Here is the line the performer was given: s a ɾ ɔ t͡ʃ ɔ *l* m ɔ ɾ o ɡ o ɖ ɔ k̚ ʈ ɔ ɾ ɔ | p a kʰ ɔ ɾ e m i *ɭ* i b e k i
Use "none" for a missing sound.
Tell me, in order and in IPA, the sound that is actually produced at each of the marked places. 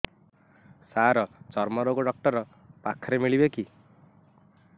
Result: ɾ, ɭ

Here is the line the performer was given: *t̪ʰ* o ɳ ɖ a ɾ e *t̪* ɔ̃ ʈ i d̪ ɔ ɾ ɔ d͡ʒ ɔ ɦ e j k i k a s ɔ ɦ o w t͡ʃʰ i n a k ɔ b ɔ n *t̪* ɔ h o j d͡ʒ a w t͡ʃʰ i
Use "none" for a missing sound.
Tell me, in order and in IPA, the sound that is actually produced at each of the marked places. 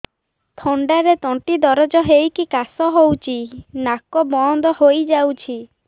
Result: t̪ʰ, t̪, d̪

